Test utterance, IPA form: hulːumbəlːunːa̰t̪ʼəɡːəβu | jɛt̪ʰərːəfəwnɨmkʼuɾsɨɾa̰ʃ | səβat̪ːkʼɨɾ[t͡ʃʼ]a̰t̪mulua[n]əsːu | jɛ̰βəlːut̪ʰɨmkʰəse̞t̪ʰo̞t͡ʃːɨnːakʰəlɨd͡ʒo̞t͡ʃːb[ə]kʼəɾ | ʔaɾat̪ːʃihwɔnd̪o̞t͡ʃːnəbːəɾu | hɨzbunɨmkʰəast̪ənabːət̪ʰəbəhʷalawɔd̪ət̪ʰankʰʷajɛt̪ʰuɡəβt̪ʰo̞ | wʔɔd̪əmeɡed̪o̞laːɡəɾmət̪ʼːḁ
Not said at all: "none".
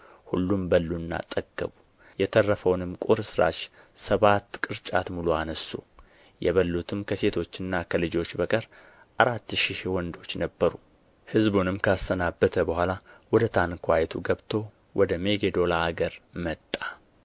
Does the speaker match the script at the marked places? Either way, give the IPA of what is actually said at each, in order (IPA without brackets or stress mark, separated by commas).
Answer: t͡ʃʼ, n, ə